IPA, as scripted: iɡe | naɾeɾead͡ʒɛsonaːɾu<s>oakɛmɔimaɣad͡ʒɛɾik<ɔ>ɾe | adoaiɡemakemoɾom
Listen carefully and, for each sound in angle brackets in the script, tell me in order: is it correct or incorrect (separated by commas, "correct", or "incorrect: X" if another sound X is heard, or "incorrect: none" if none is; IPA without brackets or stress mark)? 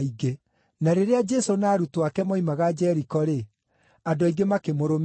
incorrect: t, correct